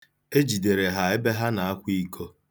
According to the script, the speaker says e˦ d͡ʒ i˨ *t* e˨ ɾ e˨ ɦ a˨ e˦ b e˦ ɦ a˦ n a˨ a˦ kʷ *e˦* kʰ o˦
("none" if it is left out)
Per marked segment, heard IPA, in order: d, i˦

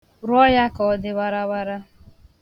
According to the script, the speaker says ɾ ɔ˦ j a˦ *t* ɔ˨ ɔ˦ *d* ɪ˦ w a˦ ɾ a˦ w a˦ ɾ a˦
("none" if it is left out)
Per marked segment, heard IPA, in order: k, d

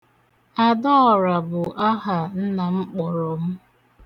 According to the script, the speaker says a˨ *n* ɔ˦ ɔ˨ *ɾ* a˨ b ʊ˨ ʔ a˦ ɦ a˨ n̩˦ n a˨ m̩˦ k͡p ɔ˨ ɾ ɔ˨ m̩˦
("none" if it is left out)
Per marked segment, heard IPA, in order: d, ɾ

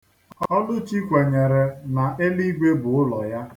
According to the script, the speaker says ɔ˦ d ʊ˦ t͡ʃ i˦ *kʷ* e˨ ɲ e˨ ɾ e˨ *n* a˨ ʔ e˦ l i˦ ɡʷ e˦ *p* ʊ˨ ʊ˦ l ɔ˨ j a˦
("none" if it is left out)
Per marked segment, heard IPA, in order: kʷ, n, b

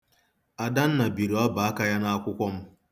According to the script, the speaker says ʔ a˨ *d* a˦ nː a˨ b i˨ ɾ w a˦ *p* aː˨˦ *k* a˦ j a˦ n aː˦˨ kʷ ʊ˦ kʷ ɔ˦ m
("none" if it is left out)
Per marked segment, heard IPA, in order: d, b, k

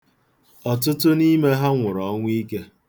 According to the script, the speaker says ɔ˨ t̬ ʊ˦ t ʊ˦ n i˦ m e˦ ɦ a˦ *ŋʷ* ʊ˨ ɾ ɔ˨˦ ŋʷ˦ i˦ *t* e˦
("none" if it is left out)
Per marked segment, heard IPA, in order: ŋʷ, k

